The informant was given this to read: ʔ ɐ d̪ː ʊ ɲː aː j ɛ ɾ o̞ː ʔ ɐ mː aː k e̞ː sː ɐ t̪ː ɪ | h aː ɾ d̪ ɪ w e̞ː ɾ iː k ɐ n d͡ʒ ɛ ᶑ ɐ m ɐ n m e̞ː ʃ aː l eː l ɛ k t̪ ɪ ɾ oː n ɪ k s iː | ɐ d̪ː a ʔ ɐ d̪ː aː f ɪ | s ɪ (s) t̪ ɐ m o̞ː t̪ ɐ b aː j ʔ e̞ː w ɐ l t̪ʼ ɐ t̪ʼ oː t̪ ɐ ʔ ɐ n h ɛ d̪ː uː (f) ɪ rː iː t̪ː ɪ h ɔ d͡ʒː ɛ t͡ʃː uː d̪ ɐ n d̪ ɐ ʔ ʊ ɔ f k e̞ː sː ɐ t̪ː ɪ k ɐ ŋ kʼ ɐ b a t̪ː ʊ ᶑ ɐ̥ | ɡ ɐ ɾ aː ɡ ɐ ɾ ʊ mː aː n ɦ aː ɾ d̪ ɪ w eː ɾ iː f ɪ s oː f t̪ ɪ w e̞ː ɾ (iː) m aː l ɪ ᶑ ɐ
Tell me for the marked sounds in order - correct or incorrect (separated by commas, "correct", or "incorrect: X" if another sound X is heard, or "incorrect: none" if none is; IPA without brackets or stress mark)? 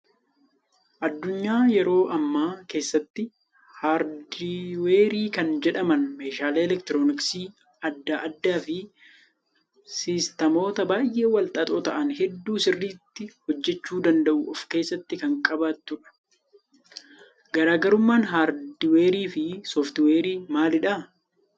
correct, incorrect: s, correct